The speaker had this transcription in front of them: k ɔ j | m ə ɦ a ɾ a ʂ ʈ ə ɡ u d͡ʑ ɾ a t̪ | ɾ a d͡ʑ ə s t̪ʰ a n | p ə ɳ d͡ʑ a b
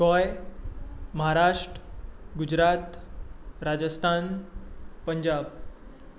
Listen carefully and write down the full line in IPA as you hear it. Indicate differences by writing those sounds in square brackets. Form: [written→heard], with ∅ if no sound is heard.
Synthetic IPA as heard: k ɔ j | m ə ɦ a ɾ a ʂ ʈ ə ɡ u d͡ʑ ɾ a t̪ | ɾ a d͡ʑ ə s t̪ʰ a n | p ə [ɳ→ɲ] d͡ʑ a b